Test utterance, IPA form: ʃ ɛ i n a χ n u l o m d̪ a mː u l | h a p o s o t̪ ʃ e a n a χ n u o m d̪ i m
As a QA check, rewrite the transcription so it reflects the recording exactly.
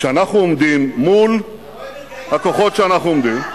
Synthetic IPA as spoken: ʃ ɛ a n a χ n u o m d̪ i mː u l | h a k o χ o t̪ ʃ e a n a χ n u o m d̪ i m